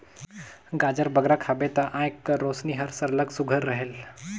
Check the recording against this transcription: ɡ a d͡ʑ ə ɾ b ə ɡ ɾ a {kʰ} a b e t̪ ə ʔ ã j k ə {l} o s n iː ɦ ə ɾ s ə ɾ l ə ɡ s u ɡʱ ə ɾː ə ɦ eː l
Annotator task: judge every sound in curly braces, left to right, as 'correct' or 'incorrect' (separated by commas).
correct, incorrect